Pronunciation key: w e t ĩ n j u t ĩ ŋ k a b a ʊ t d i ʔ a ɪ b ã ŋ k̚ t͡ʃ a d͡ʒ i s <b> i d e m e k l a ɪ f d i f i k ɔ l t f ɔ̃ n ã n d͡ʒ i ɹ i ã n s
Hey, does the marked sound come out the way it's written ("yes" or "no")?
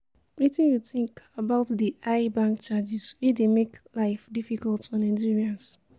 no